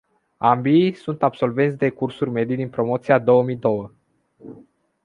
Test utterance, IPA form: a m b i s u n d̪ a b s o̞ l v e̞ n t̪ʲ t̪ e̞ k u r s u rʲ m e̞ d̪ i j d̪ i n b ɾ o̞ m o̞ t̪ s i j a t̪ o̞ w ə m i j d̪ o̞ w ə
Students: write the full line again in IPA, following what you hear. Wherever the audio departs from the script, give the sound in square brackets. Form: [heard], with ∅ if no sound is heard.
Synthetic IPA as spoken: a m b i s u n [t̪] a b s o̞ l v e̞ n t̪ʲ [d̪] e̞ k u r s u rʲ m e̞ d̪ i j d̪ i n [p] ɾ o̞ m o̞ t̪ s i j a [d̪] o̞ w ə m i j d̪ o̞ w ə